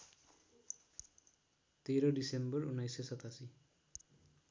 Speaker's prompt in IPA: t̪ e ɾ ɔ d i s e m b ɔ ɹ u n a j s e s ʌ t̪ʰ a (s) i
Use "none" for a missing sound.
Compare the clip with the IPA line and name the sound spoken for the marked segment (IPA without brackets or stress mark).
s